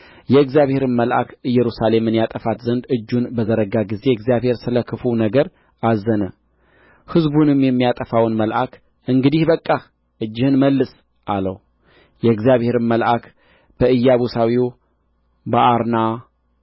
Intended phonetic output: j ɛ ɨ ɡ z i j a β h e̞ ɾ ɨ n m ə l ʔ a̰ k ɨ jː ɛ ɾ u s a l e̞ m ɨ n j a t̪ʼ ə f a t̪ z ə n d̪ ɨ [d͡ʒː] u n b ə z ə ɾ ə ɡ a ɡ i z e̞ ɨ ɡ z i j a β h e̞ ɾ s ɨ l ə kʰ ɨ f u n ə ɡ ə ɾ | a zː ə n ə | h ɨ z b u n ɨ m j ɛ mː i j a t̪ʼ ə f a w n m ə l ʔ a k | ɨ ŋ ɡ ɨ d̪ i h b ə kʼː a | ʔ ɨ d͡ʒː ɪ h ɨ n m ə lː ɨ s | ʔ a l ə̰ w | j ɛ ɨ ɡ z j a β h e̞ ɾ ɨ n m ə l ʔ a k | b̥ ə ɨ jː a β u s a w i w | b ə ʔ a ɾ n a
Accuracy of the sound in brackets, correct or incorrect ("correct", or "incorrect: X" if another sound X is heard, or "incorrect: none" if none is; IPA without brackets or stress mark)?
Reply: correct